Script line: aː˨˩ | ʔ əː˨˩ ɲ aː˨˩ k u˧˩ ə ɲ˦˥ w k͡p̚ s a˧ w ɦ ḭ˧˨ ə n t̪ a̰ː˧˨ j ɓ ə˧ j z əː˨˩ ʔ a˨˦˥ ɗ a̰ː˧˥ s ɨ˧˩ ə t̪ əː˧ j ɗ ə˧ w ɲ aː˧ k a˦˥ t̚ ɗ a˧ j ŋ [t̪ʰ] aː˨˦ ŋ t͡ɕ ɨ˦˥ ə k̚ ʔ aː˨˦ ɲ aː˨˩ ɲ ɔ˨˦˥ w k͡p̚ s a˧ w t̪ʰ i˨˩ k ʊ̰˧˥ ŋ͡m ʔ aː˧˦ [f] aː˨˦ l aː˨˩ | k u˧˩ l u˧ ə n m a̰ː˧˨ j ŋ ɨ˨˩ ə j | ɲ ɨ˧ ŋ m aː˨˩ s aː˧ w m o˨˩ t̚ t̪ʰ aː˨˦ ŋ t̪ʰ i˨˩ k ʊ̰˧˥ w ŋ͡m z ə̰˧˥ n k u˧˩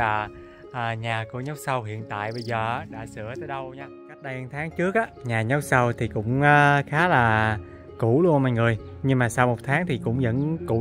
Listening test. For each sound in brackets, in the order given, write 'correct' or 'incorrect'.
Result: correct, incorrect: x

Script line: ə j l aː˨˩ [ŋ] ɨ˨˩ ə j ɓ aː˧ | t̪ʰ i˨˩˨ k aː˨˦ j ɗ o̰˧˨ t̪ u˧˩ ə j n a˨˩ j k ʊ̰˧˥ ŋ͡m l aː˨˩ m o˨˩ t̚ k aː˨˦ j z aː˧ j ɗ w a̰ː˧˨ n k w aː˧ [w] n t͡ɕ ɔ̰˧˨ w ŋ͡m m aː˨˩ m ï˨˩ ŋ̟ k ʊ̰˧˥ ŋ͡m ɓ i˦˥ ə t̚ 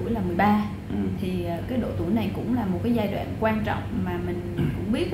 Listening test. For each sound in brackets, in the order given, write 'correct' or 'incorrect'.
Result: incorrect: m, incorrect: none

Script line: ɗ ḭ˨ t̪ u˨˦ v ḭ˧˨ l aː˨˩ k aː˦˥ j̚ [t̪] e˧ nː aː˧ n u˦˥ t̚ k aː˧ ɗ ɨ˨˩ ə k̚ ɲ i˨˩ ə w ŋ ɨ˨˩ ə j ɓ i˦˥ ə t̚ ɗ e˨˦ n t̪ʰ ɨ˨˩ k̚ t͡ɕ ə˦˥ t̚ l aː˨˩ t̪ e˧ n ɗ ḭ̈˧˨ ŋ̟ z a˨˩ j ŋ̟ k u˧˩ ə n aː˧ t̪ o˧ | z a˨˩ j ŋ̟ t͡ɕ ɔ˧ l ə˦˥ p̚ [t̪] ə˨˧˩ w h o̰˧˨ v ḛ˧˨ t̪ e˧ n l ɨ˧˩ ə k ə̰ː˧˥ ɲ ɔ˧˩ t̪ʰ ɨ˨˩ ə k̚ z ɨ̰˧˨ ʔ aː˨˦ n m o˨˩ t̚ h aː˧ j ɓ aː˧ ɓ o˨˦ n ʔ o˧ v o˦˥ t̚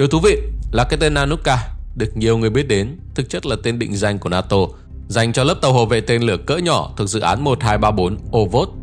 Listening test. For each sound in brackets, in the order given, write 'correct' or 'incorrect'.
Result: correct, correct

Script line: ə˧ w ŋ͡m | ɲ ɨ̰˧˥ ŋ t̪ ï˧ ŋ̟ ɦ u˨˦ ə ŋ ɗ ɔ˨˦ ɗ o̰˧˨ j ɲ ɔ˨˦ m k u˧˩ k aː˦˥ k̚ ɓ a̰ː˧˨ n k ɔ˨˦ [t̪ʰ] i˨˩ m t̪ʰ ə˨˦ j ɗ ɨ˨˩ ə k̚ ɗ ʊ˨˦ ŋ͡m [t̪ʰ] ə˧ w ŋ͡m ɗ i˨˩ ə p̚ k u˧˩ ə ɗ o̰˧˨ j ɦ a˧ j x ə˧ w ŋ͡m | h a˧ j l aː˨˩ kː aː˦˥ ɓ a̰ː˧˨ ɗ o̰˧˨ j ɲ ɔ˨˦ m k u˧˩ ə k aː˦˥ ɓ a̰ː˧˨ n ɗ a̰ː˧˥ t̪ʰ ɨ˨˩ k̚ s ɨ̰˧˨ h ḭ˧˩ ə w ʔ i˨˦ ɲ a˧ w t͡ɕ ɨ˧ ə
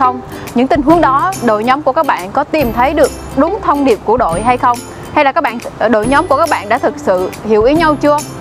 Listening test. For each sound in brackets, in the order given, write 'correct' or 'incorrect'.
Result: incorrect: t̪, correct

